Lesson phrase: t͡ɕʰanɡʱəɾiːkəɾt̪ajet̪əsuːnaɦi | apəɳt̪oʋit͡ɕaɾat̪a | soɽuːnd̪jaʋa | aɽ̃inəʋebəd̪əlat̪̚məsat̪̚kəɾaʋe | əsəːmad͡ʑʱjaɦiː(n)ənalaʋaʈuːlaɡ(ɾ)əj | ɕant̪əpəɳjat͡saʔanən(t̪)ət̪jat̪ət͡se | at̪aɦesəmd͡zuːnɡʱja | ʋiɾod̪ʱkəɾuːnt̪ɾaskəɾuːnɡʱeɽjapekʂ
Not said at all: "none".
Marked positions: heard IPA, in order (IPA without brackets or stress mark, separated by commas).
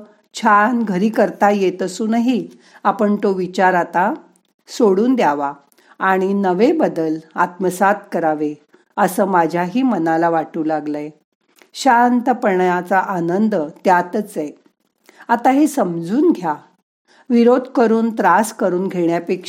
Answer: m, l, d̪